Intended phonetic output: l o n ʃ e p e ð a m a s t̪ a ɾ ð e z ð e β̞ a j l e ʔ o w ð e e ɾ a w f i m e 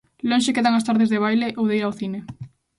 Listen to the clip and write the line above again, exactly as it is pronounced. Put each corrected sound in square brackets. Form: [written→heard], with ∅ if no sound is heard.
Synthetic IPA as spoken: l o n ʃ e [p→k] e ð a [m→ŋ] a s t̪ a ɾ ð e z ð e β̞ a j l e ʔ o w ð e [e→i] ɾ a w [f→θ] i [m→n] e